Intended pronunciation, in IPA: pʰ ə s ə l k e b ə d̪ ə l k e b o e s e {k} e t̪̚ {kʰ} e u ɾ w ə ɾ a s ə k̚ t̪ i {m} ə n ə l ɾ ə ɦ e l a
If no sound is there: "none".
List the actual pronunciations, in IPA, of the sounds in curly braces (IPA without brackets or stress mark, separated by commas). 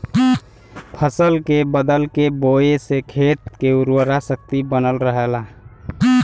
kʰ, k, b